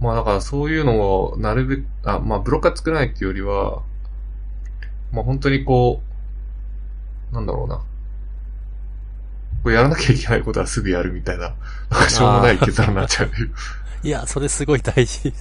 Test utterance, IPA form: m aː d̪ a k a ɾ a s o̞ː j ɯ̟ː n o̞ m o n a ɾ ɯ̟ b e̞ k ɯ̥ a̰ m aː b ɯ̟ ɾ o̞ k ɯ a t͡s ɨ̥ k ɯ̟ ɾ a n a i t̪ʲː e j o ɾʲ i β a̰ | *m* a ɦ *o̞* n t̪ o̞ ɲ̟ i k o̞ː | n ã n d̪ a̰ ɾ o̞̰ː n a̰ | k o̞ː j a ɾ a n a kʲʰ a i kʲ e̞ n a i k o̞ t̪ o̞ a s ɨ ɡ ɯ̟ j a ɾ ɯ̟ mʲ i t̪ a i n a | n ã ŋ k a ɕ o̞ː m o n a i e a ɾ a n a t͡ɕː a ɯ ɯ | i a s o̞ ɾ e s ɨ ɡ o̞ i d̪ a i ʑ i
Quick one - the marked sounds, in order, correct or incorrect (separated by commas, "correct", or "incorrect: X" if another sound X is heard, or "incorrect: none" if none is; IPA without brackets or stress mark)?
correct, incorrect: õ̞